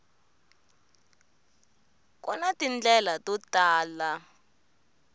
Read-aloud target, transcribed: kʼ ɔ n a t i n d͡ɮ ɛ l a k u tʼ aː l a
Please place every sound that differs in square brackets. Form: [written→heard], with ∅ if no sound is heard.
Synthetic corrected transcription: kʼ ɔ n a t i n d͡ɮ ɛ l a [k→t] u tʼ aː l a